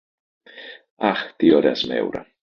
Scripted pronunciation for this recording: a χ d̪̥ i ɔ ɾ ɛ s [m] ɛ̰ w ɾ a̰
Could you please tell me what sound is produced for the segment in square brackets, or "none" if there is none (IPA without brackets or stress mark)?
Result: m